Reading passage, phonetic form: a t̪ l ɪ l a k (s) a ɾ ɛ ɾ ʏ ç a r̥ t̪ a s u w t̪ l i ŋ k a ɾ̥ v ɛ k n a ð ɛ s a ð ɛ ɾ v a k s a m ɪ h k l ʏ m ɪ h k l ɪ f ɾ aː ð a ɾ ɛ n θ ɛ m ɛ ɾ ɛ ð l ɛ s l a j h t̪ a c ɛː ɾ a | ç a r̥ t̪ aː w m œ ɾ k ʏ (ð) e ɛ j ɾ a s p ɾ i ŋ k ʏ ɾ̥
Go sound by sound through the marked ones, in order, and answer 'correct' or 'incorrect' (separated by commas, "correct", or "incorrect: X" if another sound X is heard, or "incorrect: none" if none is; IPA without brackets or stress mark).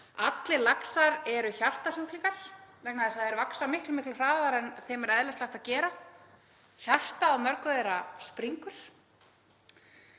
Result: correct, correct